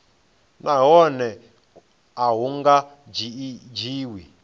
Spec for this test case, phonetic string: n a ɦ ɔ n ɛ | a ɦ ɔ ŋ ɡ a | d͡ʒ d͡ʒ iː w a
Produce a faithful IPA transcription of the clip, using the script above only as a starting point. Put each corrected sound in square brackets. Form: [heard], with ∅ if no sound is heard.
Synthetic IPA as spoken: n a ɦ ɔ n ɛ | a ɦ [u] ŋ ɡ a | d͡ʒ d͡ʒ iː w [i]